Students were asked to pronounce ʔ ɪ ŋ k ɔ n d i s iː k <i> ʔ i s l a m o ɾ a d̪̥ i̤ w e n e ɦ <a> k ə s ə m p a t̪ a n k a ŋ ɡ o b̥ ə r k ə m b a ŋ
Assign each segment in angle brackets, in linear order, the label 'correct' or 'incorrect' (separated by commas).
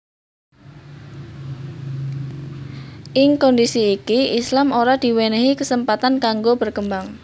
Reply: correct, incorrect